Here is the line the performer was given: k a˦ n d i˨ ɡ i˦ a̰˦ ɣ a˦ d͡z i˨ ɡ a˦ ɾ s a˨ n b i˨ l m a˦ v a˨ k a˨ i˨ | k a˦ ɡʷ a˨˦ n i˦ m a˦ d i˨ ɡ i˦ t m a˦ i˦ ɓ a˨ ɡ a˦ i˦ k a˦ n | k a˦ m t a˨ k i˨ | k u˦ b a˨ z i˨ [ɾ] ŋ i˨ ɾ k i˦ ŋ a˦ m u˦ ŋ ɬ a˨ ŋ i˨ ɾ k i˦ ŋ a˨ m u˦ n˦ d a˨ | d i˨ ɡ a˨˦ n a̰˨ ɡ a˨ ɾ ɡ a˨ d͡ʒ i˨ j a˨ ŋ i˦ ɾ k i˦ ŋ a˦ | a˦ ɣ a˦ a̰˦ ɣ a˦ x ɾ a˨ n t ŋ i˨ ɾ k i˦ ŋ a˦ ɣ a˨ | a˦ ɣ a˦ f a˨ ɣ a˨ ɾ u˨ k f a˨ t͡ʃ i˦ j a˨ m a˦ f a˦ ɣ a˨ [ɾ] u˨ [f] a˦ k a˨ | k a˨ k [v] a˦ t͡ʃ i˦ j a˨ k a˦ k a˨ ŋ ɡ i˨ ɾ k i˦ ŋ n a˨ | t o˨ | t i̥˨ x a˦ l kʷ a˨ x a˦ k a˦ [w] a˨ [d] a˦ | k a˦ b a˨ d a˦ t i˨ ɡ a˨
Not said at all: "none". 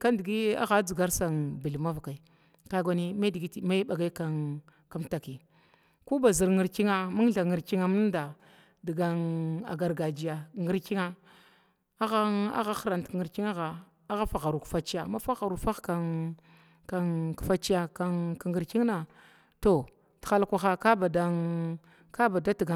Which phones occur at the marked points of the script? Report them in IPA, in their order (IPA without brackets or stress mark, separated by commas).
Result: ɾ, ɾ, f, f, b, d